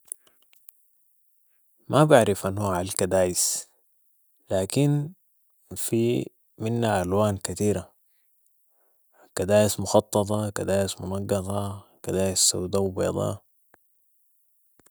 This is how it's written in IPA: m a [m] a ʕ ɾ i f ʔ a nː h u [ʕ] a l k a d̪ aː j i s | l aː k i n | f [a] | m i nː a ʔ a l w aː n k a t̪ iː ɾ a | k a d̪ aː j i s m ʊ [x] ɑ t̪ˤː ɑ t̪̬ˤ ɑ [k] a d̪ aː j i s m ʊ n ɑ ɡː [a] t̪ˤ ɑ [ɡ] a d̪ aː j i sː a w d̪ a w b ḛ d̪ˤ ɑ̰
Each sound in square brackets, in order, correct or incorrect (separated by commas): incorrect, correct, incorrect, correct, correct, incorrect, incorrect